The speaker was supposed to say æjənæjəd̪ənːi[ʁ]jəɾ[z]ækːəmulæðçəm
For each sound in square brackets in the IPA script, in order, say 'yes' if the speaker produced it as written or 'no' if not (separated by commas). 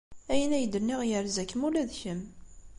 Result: yes, yes